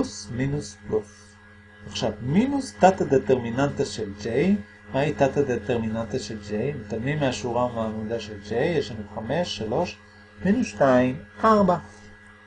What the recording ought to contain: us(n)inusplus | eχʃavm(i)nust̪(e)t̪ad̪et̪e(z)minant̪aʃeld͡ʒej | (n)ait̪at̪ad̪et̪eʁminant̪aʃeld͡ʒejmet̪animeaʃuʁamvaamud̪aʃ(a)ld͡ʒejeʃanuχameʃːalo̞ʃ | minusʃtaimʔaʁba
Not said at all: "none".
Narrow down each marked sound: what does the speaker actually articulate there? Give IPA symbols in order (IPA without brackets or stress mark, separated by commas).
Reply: m, i, a, ʁ, m, e